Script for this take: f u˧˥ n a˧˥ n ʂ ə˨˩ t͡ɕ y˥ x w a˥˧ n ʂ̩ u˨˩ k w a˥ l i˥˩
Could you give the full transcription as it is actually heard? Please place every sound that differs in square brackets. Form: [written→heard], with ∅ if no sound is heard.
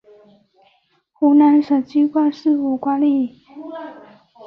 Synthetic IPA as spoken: [f→x] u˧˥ n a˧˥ n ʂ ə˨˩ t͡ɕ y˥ [x→k] w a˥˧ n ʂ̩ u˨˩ k w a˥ l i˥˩